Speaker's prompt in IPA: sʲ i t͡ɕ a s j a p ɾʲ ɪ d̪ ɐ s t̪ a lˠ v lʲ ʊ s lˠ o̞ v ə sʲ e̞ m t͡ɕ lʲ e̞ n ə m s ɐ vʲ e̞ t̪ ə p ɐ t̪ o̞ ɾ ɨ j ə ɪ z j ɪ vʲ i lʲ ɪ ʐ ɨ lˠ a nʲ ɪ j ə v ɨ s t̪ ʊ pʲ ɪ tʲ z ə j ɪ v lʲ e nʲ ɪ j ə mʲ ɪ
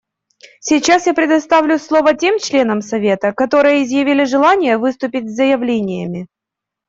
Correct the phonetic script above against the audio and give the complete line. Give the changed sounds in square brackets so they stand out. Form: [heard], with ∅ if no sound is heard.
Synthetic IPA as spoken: sʲ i t͡ɕ a s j a p ɾʲ ɪ d̪ ɐ s t̪ a [∅] v lʲ ʊ s lˠ o̞ v ə [tʲ] e̞ m t͡ɕ lʲ e̞ n ə m s ɐ vʲ e̞ t̪ ə [k] ɐ t̪ o̞ ɾ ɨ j ə ɪ z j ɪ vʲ i lʲ ɪ ʐ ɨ lˠ a nʲ ɪ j ə v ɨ s t̪ ʊ pʲ ɪ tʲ z ə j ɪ v lʲ e nʲ ɪ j ə mʲ ɪ

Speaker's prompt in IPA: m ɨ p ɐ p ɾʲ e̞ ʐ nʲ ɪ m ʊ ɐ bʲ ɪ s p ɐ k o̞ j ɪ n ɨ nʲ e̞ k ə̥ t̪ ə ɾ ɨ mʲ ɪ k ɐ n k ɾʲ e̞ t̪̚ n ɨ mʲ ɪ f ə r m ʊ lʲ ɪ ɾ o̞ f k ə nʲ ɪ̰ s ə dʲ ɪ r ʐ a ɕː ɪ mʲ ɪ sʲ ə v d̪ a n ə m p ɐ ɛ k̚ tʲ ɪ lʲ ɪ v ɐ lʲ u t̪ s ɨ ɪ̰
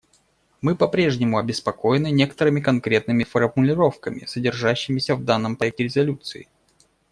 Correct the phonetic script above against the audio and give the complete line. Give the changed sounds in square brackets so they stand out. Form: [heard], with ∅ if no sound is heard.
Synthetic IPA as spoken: m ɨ p ɐ p ɾʲ e̞ ʐ nʲ ɪ m ʊ ɐ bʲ ɪ s p ɐ k o̞ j ɪ n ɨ nʲ e̞ k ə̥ t̪ ə ɾ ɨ mʲ ɪ k ɐ n k ɾʲ e̞ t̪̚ n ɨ mʲ ɪ f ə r m ʊ lʲ ɪ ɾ o̞ f k ə [mʲ] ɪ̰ s ə dʲ ɪ r ʐ a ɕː ɪ mʲ ɪ sʲ ə v d̪ a [nː] ə m p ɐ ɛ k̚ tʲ ɪ [ɾʲ] ɪ [z] ɐ lʲ u t̪ s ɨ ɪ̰

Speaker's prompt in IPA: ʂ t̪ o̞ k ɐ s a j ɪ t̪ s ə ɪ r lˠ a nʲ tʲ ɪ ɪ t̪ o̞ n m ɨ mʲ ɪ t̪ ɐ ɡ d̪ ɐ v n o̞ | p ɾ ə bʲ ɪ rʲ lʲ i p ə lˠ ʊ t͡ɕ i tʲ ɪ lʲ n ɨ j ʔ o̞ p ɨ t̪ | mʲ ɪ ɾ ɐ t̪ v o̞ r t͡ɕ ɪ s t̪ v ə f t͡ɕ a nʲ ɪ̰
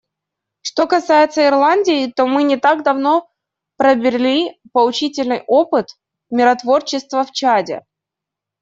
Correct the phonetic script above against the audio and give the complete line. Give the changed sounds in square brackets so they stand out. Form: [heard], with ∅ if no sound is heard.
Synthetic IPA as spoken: ʂ t̪ o̞ k ɐ s a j ɪ t̪ s ə ɪ r lˠ a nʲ [dʲ] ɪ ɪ t̪ o̞ [∅] m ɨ [nʲ] ɪ t̪ [a] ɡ d̪ ɐ v n o̞ | p ɾ ə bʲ ɪ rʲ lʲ i p ə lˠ ʊ t͡ɕ i tʲ ɪ lʲ n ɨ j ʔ o̞ p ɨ t̪ | mʲ ɪ ɾ ɐ t̪ v o̞ r t͡ɕ ɪ s t̪ v ə f t͡ɕ a [dʲ] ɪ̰

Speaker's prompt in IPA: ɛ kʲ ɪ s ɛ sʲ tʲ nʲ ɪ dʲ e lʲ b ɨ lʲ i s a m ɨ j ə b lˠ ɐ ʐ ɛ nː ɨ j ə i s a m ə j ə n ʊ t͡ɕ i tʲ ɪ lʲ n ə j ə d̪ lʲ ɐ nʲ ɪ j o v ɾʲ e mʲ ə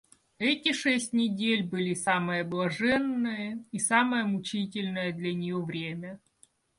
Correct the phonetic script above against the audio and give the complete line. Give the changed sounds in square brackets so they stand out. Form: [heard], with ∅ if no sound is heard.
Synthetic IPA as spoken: ɛ [tʲ] ɪ [ʂ] ɛ sʲ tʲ nʲ ɪ dʲ e lʲ b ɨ lʲ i s a m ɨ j ə b lˠ ɐ ʐ ɛ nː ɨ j ə i s a m ə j ə [m] ʊ t͡ɕ i tʲ ɪ lʲ n ə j ə d̪ lʲ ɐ nʲ ɪ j o v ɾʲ e mʲ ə

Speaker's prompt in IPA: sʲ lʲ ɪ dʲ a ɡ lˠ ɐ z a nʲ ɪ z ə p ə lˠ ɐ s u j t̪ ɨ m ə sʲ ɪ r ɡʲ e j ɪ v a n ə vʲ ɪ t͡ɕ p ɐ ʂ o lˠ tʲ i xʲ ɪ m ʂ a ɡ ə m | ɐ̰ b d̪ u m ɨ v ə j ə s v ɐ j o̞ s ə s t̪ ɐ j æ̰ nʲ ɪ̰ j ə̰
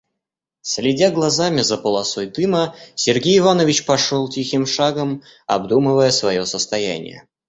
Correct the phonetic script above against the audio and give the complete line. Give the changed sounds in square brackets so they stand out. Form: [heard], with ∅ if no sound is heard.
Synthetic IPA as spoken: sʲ lʲ ɪ dʲ a ɡ lˠ ɐ z a [mʲ] ɪ z ə p ə lˠ ɐ s [o] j [d̪] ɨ m ə sʲ ɪ r ɡʲ e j ɪ v a n ə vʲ ɪ t͡ɕ p ɐ ʂ o lˠ tʲ i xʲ ɪ m ʂ a ɡ ə m | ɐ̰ b d̪ u m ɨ v ə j ə s v ɐ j o̞ s ə s t̪ ɐ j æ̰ nʲ ɪ̰ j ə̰

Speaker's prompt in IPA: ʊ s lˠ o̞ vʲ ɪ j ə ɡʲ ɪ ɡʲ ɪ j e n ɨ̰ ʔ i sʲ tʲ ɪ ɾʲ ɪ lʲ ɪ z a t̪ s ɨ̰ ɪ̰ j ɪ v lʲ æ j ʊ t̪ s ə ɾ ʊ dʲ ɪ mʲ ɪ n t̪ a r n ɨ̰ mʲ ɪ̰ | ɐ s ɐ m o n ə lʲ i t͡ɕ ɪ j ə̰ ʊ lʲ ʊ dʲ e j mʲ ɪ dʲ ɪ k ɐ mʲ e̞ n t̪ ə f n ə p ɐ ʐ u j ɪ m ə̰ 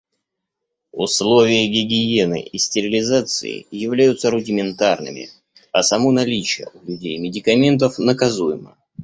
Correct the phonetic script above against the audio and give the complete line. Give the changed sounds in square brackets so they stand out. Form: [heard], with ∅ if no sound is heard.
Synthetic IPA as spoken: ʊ s lˠ o̞ vʲ ɪ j ə ɡʲ ɪ ɡʲ ɪ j e n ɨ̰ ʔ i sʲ tʲ ɪ ɾʲ ɪ lʲ ɪ z a t̪ s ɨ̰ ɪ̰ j ɪ v lʲ æ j ʊ t̪ s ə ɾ ʊ dʲ ɪ mʲ ɪ n t̪ a r n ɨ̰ mʲ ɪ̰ | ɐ s ɐ m o n [ɐ] lʲ i t͡ɕ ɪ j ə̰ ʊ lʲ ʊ dʲ e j mʲ ɪ dʲ ɪ k ɐ mʲ e̞ n t̪ ə f n ə [k] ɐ [z] u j ɪ m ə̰

